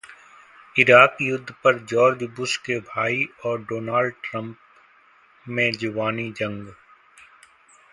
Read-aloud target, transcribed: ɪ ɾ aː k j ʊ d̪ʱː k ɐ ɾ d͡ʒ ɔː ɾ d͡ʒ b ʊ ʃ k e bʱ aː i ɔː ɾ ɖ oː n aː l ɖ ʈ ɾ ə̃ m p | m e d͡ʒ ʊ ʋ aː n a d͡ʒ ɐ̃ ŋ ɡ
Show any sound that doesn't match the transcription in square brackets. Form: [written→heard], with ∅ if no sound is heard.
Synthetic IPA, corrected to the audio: ɪ ɾ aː k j ʊ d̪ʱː [k→p] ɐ ɾ d͡ʒ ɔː ɾ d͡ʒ b ʊ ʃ k e bʱ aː i ɔː ɾ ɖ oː n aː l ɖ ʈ ɾ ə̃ m p | m [e→ẽ] d͡ʒ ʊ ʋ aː n [a→i] d͡ʒ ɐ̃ ŋ ɡ